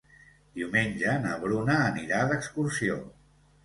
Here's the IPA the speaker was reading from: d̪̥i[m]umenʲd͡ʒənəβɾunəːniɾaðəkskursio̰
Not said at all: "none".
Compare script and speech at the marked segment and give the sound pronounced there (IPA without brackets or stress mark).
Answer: none